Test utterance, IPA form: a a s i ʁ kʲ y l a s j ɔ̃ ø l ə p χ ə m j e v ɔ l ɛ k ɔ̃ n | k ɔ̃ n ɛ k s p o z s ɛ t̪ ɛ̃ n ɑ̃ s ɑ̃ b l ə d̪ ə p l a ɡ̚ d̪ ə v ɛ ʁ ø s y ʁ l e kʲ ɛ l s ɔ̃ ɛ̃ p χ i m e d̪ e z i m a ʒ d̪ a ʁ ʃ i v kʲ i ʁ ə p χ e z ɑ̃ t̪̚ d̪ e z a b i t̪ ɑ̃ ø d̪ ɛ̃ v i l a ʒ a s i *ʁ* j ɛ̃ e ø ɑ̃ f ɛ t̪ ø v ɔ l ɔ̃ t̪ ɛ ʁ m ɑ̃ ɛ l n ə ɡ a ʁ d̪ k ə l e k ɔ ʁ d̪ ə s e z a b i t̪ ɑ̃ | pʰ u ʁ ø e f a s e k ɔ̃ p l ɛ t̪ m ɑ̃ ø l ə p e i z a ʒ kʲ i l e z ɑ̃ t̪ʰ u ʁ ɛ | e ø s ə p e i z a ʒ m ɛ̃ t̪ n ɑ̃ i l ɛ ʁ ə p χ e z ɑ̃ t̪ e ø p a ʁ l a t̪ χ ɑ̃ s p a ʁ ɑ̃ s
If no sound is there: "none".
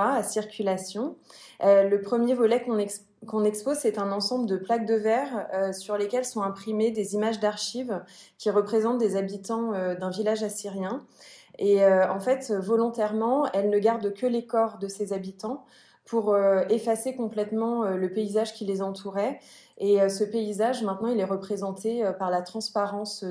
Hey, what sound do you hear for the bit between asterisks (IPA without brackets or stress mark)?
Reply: ʁ